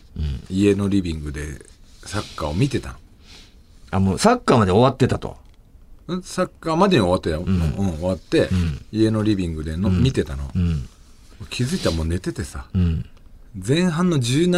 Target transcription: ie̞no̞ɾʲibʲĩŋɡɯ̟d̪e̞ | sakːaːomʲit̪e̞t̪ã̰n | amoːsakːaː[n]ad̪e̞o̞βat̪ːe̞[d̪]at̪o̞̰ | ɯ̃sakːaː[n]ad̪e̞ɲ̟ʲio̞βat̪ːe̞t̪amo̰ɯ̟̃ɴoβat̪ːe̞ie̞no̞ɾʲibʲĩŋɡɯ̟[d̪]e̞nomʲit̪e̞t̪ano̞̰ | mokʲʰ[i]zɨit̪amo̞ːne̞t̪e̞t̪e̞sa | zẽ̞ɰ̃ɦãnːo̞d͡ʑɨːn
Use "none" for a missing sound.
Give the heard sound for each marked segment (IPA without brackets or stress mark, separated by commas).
m, t̪, m, d̪, i